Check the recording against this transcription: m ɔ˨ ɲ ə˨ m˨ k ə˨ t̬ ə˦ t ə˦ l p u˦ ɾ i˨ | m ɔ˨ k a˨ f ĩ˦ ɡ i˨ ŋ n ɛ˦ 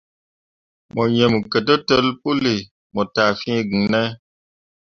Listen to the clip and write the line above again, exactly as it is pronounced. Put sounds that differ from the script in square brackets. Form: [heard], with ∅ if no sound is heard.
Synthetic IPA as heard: m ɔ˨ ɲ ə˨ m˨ k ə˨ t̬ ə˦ t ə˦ l p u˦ [l] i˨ | m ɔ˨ [t] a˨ f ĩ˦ ɡ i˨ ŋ n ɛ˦